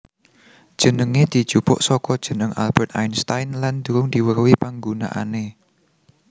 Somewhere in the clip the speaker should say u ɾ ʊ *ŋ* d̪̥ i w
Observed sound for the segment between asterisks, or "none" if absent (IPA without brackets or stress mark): ŋ